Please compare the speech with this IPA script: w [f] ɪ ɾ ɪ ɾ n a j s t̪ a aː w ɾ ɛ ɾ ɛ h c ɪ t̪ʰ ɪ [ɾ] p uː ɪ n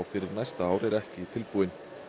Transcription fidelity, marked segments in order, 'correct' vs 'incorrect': correct, incorrect: l

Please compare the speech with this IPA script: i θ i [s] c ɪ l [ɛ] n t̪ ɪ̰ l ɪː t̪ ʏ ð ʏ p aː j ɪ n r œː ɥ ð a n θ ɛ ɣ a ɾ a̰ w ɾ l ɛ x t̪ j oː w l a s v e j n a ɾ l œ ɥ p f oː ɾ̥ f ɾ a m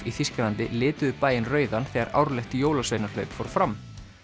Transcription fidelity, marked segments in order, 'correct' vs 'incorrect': correct, incorrect: a

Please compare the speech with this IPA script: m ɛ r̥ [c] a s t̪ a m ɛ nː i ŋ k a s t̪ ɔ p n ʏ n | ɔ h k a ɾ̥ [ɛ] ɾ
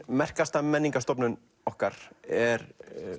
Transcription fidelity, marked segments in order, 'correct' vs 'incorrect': incorrect: k, correct

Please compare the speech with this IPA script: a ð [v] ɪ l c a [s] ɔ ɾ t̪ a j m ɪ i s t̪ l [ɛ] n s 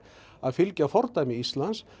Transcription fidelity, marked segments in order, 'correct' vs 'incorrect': incorrect: f, incorrect: f, incorrect: a

